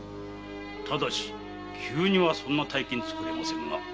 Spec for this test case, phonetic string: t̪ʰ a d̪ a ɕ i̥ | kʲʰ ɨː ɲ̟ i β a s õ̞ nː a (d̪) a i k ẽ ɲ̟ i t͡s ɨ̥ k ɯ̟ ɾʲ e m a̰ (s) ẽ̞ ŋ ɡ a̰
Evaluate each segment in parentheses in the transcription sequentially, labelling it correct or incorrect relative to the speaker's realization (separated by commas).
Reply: incorrect, correct